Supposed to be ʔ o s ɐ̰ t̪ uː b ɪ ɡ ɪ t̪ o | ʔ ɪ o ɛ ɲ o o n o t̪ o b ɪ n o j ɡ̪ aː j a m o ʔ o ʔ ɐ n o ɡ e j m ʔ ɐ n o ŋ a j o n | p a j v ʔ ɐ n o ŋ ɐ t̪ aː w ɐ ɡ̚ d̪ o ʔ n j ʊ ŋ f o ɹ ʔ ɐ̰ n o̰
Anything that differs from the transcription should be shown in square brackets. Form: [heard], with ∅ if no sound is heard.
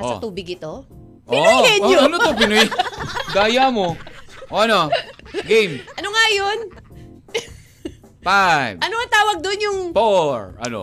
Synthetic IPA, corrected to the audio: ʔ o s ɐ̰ t̪ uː b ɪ ɡ ɪ t̪ o | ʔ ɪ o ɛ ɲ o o n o t̪ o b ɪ n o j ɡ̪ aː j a m o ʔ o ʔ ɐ n o ɡ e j m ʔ ɐ n o ŋ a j o n | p a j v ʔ ɐ n o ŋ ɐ t̪ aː w ɐ ɡ̚ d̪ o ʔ n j ʊ ŋ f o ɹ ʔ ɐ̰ n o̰